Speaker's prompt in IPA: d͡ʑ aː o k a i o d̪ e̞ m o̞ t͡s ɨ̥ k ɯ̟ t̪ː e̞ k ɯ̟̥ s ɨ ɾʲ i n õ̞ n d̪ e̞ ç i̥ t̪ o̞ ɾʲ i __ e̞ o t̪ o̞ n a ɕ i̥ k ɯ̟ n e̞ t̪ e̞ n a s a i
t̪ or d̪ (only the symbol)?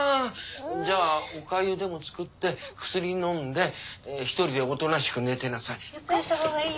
d̪